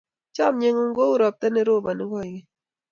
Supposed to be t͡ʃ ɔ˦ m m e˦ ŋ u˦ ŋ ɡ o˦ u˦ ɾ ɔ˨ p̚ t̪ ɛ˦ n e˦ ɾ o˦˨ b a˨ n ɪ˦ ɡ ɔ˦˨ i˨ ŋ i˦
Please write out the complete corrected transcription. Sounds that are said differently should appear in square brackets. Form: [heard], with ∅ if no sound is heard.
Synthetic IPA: t͡ʃ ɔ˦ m [ɲ] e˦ ŋ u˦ ŋ ɡ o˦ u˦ ɾ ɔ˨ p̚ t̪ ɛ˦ n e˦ ɾ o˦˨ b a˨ n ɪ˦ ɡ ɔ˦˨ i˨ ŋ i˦